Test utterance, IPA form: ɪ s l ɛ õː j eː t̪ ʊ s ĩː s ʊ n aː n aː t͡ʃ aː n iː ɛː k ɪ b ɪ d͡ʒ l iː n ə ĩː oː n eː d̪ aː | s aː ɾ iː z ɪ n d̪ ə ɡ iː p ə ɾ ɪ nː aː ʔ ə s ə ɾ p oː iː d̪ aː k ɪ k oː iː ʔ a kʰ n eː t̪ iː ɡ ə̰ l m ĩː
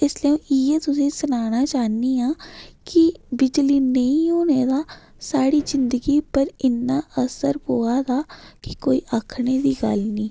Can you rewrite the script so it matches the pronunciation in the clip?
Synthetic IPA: ɪ s l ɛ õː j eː t̪ ʊ s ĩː s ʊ n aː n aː t͡ʃ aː n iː aː k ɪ b ɪ d͡ʒ l iː n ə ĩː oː n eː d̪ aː | s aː ɽ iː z ɪ n d̪ ə ɡ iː p ə ɾ ɪ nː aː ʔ ə s ə ɾ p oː aː d̪ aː k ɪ k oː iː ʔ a kʰ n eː d̪ iː ɡ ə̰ l n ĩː